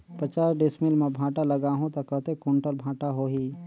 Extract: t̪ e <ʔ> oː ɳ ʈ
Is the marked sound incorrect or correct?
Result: incorrect